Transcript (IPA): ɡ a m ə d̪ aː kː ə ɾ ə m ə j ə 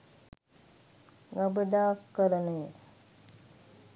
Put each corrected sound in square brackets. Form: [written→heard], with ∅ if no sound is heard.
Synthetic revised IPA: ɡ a [m→b] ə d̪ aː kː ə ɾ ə [m→n] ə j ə